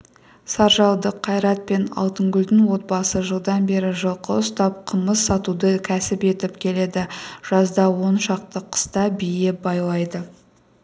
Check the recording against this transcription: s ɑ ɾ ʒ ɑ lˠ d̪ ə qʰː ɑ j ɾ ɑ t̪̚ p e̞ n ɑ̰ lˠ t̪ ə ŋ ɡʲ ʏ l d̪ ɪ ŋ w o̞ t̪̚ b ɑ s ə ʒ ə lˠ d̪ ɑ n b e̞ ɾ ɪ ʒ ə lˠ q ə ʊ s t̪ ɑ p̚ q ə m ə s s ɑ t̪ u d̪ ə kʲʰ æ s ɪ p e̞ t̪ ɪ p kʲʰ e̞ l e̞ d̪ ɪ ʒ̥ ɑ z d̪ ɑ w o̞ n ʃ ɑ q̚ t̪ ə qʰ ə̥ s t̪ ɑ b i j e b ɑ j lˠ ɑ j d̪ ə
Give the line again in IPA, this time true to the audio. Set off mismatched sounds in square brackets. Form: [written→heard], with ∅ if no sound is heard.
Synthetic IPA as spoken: s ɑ ɾ ʒ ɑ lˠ d̪ ə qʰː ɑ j ɾ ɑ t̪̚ p e̞ n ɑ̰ lˠ t̪ ə ŋ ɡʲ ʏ l d̪ ɪ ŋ w o̞ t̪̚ b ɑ s ə ʒ ə lˠ d̪ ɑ n b e̞ ɾ ɪ ʒ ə lˠ q ə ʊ s t̪ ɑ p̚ [q→qʰ] ə m ə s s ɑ t̪ u d̪ ə kʲʰ æ s ɪ p e̞ t̪ ɪ p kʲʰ e̞ l e̞ d̪ ɪ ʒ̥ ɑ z d̪ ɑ w o̞ n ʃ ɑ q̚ t̪ ə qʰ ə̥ s t̪ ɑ b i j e b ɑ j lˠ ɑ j d̪ ə